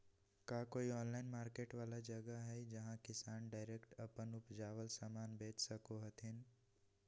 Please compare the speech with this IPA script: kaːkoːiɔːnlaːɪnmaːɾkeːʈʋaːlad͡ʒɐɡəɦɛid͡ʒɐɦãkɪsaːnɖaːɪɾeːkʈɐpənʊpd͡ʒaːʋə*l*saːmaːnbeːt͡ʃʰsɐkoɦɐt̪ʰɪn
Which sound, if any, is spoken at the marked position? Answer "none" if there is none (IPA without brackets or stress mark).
l